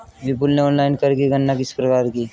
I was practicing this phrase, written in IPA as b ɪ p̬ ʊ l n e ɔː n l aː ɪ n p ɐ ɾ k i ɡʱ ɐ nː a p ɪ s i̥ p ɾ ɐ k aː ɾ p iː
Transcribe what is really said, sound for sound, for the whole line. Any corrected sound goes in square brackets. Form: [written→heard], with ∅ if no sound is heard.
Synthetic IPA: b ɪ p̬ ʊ l n e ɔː n l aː ɪ n [p→k] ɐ ɾ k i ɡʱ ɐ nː a [p→k] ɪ s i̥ p ɾ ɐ k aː ɾ [p→k] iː